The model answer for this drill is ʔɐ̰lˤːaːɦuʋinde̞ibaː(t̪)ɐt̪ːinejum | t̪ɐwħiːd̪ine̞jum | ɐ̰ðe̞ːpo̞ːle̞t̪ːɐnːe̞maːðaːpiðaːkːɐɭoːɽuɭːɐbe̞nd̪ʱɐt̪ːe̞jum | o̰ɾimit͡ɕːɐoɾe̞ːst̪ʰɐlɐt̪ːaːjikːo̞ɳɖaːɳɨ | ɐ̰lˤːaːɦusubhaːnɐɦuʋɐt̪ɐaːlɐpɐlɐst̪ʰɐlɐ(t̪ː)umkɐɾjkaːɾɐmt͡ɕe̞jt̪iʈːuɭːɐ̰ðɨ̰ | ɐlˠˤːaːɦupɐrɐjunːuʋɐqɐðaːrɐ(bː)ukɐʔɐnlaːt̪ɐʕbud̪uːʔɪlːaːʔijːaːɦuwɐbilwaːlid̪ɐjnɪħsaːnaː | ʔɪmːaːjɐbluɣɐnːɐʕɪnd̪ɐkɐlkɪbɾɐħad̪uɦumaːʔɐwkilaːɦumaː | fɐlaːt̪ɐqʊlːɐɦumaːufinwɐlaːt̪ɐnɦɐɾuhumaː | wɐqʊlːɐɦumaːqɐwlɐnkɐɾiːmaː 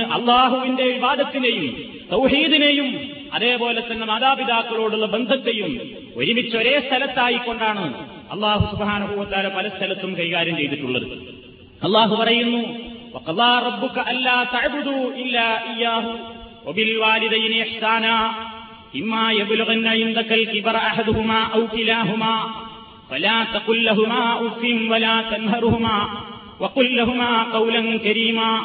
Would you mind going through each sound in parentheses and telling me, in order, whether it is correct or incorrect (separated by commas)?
incorrect, correct, correct